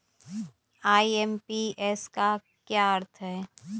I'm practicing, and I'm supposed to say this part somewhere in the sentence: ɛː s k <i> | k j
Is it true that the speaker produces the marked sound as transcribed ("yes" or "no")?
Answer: no